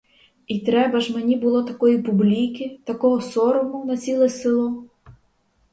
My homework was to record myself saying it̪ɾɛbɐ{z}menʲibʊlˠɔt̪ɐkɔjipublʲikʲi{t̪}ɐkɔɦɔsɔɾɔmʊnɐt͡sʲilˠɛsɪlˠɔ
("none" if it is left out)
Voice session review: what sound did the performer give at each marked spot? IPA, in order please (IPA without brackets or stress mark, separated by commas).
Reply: ʒ, t̪